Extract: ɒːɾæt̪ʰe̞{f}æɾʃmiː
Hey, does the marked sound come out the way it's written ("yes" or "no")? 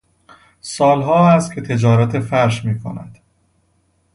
yes